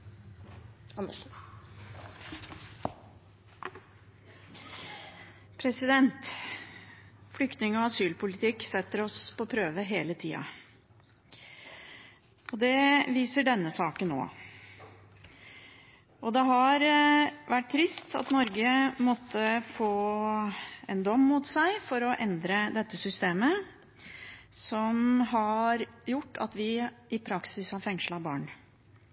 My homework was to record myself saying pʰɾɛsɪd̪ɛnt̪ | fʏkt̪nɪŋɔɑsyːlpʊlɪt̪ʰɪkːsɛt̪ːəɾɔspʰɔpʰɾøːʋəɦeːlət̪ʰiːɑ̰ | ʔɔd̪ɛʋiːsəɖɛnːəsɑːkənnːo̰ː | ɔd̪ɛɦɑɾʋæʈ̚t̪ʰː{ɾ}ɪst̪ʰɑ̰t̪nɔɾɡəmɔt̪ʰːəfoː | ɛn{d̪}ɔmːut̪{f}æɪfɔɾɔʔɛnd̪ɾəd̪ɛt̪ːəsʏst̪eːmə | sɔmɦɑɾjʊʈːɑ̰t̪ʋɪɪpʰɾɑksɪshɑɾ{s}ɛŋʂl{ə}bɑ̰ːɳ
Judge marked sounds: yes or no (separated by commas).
yes, yes, no, no, no